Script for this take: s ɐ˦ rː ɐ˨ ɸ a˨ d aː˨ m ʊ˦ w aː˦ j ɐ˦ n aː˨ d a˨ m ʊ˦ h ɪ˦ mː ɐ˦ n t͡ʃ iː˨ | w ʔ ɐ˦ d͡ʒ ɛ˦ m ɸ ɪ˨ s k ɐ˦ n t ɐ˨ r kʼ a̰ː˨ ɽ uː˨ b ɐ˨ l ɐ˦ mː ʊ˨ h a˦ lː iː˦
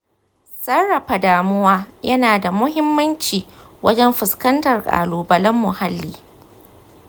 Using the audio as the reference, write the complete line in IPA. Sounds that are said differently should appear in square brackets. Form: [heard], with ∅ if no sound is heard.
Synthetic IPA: s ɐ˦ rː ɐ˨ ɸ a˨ d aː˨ m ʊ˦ w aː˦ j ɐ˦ n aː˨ d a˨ m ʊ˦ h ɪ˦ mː ɐ˦ n t͡ʃ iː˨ | w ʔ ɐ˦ d͡ʒ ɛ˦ m ɸ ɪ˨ s k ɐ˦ n t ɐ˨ r kʼ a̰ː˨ [l] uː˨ b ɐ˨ l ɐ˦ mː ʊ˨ h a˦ lː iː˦